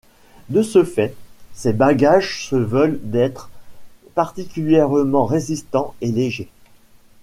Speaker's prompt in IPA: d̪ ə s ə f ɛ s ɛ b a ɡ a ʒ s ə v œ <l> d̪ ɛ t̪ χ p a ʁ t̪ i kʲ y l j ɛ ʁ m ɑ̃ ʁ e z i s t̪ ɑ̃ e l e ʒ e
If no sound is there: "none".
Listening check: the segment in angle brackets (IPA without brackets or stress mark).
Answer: l